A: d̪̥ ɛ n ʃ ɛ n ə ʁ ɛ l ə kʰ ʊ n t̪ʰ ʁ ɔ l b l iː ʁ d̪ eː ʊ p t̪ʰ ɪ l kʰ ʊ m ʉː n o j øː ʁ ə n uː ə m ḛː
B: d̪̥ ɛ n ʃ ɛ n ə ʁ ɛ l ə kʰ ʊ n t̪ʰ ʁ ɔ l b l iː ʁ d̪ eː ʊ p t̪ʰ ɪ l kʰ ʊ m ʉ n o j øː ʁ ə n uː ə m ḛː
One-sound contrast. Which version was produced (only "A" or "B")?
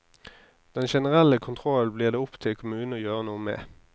A